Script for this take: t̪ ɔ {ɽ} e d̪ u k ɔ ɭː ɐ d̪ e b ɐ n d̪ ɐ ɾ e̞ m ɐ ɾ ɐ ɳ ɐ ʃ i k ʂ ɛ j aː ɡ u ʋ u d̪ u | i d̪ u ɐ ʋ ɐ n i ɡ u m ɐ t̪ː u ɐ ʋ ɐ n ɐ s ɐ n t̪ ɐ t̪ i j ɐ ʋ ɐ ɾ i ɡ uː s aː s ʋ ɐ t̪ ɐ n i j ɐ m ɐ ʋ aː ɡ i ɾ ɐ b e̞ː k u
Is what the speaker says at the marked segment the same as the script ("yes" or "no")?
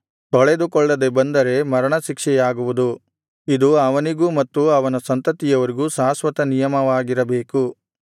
no